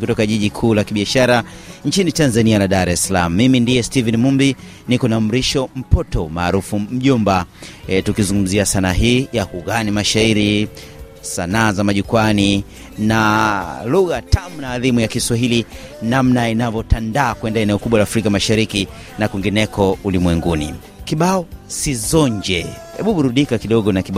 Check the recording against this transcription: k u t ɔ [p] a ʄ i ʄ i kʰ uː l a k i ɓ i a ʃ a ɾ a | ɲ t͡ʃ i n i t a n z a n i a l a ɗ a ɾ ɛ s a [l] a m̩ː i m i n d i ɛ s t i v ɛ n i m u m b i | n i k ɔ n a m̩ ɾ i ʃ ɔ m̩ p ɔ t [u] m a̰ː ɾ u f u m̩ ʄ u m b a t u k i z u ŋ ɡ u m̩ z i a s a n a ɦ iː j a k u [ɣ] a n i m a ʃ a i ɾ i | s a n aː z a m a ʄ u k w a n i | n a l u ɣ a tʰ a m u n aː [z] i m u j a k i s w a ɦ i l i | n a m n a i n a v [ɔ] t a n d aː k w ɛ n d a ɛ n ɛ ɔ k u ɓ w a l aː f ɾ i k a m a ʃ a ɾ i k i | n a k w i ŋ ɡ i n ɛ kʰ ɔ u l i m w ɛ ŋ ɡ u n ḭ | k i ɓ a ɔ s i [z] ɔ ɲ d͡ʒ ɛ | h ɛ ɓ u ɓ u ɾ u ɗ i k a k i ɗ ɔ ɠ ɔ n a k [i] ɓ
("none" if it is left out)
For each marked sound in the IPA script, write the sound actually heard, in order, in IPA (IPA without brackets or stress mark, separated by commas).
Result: k, l, ɔ, ɣ, ð, ɔ, z, i